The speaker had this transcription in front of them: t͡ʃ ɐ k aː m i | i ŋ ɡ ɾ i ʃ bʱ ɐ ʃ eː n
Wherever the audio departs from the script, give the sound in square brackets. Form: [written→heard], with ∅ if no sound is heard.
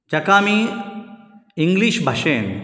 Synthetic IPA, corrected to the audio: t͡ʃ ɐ k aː m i | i ŋ ɡ [ɾ→l] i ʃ bʱ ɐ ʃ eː n